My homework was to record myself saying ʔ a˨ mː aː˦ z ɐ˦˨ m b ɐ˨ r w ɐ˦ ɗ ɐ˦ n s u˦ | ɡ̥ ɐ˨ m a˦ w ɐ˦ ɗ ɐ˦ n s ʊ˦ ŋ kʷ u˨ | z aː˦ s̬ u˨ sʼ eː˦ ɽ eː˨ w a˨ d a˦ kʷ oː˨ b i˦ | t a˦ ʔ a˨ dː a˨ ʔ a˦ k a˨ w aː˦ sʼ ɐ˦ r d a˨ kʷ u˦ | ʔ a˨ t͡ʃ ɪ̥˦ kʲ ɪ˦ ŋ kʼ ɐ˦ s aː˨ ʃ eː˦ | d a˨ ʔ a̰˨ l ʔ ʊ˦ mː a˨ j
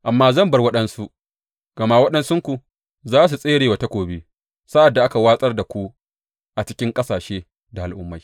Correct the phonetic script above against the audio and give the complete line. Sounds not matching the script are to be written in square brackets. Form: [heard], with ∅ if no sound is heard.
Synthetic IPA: ʔ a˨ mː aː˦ z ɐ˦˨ m b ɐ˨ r w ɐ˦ ɗ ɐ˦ n s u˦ | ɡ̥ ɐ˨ m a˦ w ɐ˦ ɗ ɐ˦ n s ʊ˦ ŋ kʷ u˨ | z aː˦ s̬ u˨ sʼ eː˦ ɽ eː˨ w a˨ [t] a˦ kʷ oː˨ b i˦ | [s] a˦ ʔ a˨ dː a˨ ʔ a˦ k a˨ w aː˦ sʼ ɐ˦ r d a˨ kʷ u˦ | ʔ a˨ t͡ʃ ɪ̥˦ kʲ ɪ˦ ŋ kʼ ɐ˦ s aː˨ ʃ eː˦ | d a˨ ʔ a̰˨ l ʔ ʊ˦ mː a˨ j